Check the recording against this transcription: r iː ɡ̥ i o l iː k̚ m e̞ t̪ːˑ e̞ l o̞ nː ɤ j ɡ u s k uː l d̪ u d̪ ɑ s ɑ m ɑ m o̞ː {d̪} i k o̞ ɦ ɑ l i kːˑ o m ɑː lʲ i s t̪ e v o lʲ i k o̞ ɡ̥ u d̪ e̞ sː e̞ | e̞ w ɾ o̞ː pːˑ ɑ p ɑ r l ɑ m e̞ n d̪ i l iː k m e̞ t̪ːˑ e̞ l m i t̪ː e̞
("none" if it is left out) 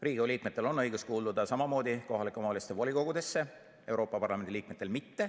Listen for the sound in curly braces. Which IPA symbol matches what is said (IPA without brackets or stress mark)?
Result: d̪